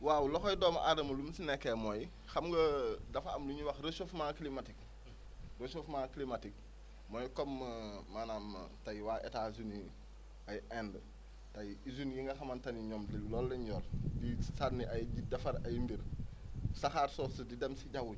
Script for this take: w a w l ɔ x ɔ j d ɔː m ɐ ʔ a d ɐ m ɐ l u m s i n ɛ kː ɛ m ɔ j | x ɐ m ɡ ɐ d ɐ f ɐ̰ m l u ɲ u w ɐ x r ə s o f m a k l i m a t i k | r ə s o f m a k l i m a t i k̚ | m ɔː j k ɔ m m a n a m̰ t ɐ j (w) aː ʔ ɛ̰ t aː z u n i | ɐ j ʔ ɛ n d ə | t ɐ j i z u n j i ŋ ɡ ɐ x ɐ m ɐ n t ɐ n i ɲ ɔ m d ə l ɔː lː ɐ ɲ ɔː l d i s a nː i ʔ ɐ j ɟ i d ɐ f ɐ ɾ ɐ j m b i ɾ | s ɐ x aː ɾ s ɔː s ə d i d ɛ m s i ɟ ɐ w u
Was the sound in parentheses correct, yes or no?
yes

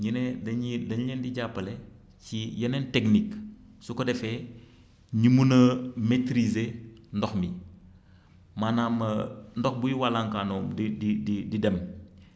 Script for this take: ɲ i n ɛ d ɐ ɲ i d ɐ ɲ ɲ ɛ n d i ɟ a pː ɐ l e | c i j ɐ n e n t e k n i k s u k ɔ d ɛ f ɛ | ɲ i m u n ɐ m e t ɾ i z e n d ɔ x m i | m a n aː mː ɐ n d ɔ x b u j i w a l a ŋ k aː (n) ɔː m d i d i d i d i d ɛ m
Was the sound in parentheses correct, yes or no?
yes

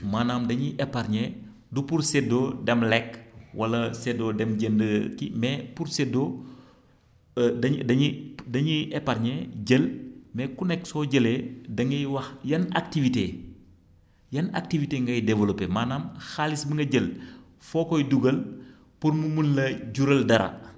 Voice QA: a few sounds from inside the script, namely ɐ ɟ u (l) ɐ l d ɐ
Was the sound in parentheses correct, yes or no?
no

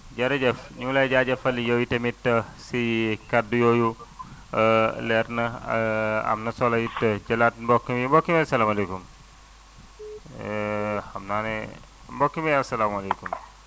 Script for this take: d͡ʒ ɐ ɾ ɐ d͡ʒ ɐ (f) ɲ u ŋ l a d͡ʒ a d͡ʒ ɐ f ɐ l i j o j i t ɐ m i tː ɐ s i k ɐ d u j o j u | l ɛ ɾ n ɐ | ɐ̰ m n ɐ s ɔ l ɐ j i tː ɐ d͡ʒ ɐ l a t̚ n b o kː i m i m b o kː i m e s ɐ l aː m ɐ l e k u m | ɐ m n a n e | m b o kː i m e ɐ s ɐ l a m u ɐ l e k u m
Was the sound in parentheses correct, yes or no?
yes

